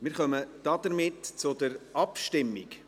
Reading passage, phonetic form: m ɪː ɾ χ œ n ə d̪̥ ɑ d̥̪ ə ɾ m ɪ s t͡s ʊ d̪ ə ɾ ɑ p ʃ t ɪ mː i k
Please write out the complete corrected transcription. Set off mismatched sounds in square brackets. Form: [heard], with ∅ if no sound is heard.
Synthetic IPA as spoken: m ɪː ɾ χ œ [m] ə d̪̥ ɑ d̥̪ ə ɾ m ɪ [t] t͡s ʊ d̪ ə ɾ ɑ p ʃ t ɪ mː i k